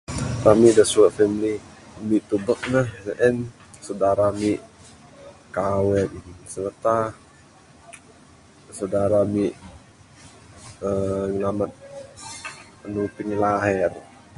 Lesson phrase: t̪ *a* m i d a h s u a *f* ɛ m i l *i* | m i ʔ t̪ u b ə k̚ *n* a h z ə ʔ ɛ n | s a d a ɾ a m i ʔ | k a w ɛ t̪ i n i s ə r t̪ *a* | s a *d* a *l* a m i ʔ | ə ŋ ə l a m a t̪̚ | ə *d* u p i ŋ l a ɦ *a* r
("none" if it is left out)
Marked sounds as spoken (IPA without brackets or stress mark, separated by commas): a, f, i, n, a, d, ɾ, n, ɛ